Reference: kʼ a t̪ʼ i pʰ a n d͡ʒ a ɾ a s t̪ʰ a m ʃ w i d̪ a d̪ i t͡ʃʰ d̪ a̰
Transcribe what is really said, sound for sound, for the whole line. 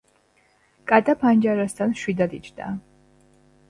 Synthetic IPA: kʼ a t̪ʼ a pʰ a n d͡ʒ a ɾ a s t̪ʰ a n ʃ w i d̪ a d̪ i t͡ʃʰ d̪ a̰